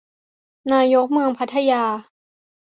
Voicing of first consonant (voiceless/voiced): voiced